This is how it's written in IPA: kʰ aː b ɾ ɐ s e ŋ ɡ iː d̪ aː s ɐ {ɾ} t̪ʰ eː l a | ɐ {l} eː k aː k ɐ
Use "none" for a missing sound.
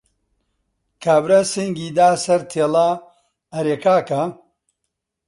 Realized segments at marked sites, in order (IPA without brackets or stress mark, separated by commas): ɾ, ɾ